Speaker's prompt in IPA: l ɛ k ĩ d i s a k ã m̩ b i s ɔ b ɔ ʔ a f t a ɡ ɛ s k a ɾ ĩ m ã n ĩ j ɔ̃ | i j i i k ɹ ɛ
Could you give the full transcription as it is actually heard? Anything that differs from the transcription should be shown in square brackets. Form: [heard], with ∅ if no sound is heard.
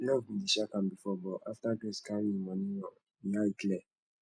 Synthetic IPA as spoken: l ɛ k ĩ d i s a k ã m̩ b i [f] ɔ b ɔ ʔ a f t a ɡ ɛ s k a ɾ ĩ m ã n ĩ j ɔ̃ | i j [a] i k [l] ɛ